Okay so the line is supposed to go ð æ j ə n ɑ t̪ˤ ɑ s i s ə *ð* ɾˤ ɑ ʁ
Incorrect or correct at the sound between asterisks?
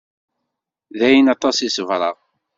incorrect: v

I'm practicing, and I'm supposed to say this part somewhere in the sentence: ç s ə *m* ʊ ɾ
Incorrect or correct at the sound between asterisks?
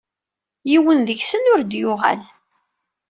incorrect: n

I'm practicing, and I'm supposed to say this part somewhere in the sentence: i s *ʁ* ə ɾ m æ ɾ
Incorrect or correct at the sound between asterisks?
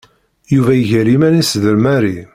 incorrect: ð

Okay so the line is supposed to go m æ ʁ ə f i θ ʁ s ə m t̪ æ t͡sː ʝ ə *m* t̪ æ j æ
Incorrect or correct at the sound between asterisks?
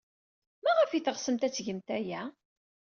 correct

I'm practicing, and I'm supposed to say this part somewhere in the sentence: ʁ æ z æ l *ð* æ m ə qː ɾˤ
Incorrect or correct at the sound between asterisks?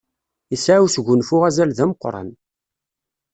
correct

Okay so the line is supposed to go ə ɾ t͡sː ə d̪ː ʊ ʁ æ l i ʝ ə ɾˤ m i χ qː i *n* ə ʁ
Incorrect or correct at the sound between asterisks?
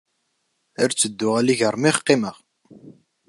incorrect: m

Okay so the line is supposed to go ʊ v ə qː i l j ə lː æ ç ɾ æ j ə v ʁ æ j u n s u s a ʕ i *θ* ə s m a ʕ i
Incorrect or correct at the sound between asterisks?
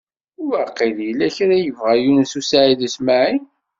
incorrect: ð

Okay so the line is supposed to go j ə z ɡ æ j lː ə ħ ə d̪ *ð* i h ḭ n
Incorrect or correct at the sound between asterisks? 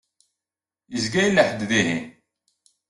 correct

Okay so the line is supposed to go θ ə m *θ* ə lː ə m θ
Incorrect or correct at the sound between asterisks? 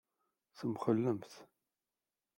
incorrect: χ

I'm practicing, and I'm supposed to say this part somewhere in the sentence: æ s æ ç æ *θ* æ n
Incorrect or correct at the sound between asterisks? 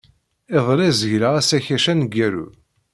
incorrect: ʃ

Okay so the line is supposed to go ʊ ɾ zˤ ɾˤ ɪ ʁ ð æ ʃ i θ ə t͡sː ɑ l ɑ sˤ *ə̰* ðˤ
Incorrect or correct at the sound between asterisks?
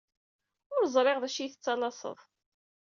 correct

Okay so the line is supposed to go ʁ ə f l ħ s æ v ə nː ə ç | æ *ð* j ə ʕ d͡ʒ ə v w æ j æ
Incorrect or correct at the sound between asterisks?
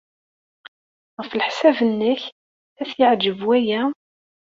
incorrect: θ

